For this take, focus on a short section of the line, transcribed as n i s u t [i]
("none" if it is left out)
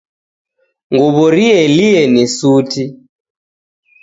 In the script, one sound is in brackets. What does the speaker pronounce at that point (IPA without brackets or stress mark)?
i